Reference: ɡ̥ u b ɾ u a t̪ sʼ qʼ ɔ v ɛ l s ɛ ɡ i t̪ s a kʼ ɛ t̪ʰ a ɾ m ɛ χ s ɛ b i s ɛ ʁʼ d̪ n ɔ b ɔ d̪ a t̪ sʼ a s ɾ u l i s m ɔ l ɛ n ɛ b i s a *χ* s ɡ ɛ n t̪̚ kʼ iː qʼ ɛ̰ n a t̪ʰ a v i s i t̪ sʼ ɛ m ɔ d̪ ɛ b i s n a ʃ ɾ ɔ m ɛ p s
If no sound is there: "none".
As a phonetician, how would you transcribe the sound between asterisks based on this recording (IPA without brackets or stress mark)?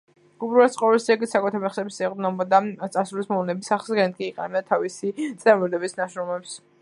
χ